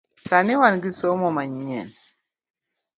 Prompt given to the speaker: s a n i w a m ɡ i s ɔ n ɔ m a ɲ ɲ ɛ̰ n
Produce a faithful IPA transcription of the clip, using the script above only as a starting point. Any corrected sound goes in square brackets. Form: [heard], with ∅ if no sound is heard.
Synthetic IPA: s a n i w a [n] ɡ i s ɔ [m] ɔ m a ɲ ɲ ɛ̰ n